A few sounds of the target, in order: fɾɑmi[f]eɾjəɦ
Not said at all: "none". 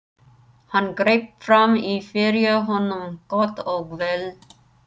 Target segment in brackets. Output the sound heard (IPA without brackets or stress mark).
f